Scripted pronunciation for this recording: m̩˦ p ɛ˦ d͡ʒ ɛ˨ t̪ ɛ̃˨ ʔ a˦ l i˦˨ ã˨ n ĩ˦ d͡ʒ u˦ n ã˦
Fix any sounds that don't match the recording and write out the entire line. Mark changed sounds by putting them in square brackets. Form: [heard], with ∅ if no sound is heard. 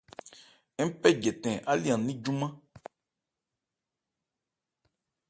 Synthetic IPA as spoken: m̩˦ p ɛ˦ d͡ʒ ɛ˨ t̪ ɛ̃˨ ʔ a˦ l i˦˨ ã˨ n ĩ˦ d͡ʒ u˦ [m] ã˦